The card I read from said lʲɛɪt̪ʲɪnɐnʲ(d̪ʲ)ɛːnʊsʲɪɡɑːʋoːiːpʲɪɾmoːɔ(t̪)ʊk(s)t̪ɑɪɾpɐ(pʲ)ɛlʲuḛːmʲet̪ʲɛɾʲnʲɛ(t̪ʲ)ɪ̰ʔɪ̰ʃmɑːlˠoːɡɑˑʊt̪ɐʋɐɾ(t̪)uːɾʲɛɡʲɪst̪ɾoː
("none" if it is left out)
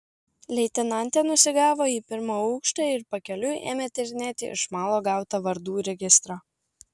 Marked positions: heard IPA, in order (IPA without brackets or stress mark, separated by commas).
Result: t̪ʲ, none, ʃ, kʲ, t̪ʲ, d̪